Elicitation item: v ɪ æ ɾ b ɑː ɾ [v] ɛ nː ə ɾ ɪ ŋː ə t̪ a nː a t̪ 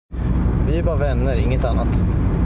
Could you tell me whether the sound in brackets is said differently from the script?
no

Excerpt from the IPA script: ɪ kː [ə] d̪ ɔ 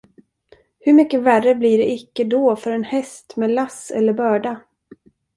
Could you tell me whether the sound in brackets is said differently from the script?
no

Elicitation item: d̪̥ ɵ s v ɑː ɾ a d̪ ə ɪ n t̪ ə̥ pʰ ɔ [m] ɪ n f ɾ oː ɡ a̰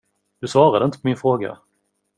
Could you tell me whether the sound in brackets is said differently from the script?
no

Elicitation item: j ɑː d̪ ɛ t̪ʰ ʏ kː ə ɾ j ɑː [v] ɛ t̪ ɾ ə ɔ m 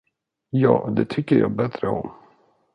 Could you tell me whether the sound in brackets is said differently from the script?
yes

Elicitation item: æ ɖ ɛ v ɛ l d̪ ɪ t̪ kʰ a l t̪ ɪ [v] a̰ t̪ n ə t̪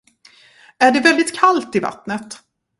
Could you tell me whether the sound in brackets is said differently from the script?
no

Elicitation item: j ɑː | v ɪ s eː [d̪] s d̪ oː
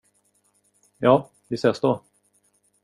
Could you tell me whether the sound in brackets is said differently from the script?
yes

